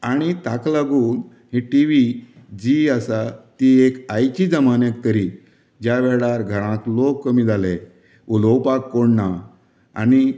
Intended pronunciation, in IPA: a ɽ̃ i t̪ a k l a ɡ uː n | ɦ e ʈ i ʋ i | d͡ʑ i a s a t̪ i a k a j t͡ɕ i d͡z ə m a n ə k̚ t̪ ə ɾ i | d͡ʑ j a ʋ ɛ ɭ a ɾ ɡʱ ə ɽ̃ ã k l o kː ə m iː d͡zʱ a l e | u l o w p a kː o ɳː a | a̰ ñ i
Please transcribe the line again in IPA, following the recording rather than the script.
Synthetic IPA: a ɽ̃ i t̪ a k l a ɡ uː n | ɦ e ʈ i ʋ i | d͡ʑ i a s a t̪ i e k a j t͡ɕ i d͡z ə m a n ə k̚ t̪ ə ɾ i | d͡ʑ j a ʋ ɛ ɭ a ɾ ɡʱ ə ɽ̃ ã k l o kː ə m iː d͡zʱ a l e | u l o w p a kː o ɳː a | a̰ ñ i

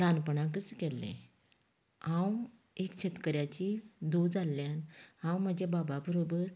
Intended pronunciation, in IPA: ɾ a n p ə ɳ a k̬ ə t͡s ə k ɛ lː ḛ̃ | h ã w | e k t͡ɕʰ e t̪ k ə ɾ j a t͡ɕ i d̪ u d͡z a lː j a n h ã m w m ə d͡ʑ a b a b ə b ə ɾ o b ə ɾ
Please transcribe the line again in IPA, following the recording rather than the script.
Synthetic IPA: ɾ a n p ə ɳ a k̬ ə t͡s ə k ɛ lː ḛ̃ | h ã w | e k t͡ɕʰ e t̪ k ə ɾ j a t͡ɕ i d̪ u d͡z a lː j a n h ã w m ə d͡ʑ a b a b a b ə ɾ o b ə ɾ

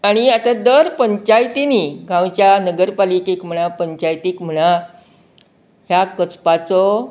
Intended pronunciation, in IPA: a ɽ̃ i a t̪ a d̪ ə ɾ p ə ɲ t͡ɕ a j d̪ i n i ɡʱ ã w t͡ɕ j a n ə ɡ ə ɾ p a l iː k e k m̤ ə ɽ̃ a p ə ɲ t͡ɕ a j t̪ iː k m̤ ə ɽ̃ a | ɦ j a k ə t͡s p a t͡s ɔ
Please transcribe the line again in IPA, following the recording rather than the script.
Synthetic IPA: a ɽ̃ i a t̪ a d̪ ə ɾ p ə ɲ t͡ɕ a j t̪ i n i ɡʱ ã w t͡ɕ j a n ə ɡ ə ɾ p a l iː k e k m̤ ə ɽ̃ a p ə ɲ t͡ɕ a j t̪ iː k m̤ ə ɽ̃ a | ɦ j a k ə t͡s p a t͡s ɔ

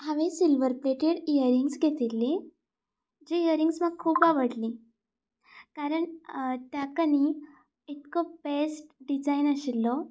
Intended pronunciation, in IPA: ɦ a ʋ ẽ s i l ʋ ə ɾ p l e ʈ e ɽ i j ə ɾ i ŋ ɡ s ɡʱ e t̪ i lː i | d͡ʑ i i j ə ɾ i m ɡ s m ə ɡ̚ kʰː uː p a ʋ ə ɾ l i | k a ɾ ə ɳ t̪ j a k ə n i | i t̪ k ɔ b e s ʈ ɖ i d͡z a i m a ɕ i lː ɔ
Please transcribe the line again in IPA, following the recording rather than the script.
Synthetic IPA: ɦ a ʋ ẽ s i l ʋ ə ɾ p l e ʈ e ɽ i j ə ɾ i ŋ ɡ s ɡʱ e t̪ i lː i | d͡ʑ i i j ə ɾ i ŋ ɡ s m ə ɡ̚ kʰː uː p a ʋ ə ɽ l i | k a ɾ ə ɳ t̪ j a k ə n i | i t̪ k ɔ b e s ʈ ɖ i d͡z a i n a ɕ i lː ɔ

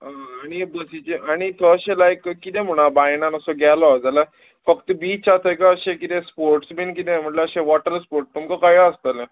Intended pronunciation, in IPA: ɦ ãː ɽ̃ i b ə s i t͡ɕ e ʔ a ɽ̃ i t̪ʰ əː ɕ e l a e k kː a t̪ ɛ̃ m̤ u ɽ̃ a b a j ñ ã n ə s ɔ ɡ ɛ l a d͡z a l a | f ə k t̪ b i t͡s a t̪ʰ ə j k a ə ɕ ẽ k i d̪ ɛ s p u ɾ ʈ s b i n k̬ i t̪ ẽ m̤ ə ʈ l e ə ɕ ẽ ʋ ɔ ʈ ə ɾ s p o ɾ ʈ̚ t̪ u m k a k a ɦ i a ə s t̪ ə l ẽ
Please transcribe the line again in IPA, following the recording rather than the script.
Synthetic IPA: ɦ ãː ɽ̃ i b ə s i t͡ɕ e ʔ a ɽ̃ i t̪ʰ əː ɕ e l a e k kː i t̪ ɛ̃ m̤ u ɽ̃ a b a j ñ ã n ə s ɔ ɡ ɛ l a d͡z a l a | f ə k t̪ b i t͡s a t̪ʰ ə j k a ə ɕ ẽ k i t̪ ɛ s p o ɾ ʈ s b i n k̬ i t̪ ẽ m̤ ə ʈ l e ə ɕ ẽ ʋ ɔ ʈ ə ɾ s p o ɾ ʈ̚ t̪ u m k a k a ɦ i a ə s t̪ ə l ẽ

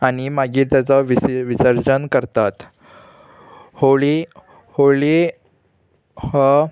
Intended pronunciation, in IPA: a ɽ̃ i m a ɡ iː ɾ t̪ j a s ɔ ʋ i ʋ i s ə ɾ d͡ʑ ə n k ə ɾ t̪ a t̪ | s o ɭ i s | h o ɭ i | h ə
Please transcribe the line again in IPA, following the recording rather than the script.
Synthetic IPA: a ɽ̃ i m a ɡ iː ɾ t̪ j a t͡s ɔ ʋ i ʋ i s ə ɾ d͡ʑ ə n k ə ɾ t̪ a t̪ | h o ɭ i | h o ɭ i | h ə

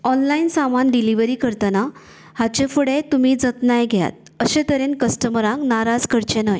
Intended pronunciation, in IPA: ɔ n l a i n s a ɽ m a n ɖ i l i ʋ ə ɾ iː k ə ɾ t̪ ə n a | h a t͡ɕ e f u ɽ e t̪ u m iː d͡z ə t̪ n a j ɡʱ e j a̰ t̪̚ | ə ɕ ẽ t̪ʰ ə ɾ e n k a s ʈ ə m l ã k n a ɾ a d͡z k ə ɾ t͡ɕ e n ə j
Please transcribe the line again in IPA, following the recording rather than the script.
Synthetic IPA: ɔ n l a i n s a m a n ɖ i l i ʋ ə ɾ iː k ə ɾ t̪ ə n a | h a t͡ɕ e f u ɽ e t̪ u m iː d͡z ə t̪ n a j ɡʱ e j a̰ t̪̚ | ə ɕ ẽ t̪ ə ɾ e n k ə s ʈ ə m ɾ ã k n a ɾ a d͡z k ə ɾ t͡ɕ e n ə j

